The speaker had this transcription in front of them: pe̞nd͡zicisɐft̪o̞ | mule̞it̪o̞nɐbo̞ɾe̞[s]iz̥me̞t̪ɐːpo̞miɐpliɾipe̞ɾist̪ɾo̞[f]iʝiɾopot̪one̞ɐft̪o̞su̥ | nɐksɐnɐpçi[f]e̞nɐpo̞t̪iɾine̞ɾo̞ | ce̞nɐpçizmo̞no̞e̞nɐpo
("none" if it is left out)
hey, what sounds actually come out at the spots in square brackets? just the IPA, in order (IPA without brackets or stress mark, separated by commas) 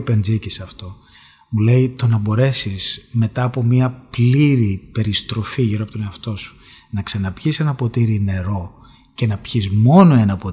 s, f, s